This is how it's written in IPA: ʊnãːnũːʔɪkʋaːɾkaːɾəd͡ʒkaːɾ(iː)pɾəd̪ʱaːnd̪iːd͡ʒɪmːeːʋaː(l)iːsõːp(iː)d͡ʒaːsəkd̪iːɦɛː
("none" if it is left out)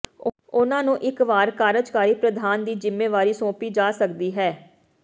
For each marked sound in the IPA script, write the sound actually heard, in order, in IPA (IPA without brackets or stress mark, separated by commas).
iː, ɾ, iː